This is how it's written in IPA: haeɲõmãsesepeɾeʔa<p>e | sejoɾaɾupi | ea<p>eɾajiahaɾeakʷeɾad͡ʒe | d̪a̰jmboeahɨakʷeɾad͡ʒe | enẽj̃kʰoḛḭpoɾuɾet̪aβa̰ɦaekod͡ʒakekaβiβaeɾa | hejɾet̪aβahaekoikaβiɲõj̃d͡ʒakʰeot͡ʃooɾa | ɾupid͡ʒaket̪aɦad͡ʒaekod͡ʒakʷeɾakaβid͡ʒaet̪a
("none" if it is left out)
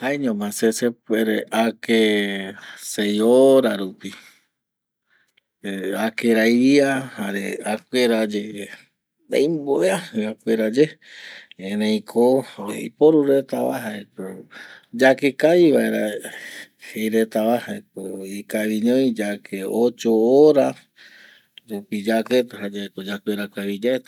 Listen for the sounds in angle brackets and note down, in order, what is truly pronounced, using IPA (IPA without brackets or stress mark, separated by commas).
k, k